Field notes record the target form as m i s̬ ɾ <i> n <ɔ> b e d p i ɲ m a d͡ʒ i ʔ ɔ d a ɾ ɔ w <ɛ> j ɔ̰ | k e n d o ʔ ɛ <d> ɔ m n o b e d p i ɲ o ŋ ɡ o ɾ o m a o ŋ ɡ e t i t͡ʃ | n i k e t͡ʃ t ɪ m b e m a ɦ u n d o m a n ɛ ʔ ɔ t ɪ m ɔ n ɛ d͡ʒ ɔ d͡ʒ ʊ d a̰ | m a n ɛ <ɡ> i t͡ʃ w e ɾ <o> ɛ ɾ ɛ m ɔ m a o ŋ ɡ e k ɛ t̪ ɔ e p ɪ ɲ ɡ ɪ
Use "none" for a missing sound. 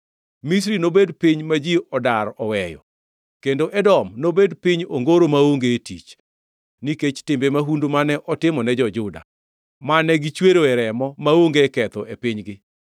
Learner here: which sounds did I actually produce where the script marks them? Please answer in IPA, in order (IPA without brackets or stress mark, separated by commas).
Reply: i, o, ɛ, d, ɡ, o